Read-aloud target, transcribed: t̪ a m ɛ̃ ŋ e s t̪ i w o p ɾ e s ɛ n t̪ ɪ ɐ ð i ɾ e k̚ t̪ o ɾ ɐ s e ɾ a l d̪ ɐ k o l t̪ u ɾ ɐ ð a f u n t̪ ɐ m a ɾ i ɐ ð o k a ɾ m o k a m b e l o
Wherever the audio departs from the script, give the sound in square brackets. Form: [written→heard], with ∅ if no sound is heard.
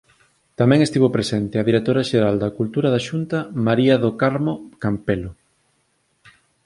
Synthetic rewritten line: t̪ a m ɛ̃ ŋ e s t̪ i [w→β] o p ɾ e s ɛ n t̪ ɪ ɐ ð i ɾ e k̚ t̪ o ɾ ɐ [s→ʃ] e ɾ a l d̪ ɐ k [o→u] l t̪ u ɾ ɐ ð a [f→ʃ] u n t̪ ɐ m a ɾ i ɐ ð o k a ɾ m o k a m [b→p] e l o